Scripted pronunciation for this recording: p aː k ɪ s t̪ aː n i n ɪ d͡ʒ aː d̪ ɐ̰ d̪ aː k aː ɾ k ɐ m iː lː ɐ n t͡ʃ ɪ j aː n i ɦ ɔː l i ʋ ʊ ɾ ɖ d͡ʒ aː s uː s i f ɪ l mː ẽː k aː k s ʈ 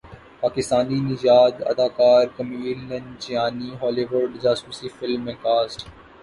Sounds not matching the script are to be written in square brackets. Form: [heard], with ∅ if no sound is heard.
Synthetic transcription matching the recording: p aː k ɪ s t̪ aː n i n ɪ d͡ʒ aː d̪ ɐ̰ d̪ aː k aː ɾ k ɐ m iː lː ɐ n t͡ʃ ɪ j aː n i ɦ ɔː l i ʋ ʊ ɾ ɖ d͡ʒ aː s uː s i f ɪ l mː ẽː k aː [∅] s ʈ